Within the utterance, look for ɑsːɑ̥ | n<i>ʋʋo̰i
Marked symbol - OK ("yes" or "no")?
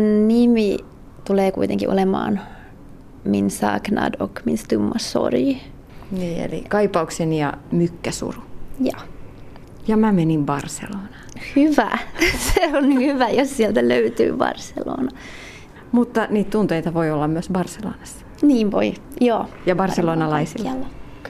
no